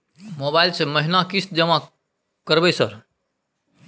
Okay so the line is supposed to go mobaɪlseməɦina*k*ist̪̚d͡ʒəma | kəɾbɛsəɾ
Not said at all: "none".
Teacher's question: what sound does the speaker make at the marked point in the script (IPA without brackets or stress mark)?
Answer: k